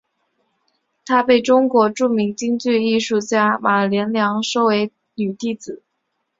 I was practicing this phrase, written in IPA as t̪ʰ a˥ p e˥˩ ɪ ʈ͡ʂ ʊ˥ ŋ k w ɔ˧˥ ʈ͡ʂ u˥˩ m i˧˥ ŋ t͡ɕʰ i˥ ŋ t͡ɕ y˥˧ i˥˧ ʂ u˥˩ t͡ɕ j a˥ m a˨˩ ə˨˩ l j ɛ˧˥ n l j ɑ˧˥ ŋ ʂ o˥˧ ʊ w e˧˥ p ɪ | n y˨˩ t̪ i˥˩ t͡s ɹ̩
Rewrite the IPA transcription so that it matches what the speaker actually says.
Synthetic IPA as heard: t̪ʰ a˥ p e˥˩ ɪ ʈ͡ʂ ʊ˥ ŋ k w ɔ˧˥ ʈ͡ʂ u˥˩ m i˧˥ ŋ t͡ɕ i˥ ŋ t͡ɕ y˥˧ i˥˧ ʂ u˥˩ t͡ɕ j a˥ m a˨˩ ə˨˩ l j ɛ˧˥ n l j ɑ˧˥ ŋ ʂ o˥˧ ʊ w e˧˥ ɪ | n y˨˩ t̪ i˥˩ t͡s ɹ̩